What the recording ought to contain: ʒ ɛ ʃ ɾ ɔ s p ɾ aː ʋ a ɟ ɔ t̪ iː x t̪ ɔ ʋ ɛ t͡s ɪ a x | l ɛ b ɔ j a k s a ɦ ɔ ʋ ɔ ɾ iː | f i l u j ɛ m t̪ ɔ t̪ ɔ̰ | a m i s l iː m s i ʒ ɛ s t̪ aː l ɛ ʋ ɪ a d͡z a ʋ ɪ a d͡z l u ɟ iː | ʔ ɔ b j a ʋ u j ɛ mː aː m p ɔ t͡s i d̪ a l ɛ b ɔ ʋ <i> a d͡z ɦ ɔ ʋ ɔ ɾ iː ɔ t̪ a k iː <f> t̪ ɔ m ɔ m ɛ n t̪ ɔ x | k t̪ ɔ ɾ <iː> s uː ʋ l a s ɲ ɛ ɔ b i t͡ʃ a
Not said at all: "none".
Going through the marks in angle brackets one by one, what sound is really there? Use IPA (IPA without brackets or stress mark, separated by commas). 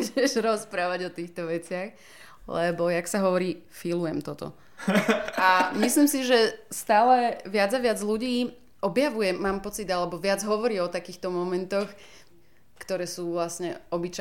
ɪ, x, ɛː